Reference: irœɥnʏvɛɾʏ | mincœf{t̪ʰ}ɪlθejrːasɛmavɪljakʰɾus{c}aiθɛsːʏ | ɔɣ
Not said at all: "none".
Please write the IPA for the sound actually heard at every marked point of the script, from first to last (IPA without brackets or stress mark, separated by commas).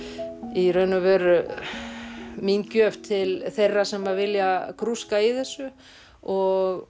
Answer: t̪ʰ, k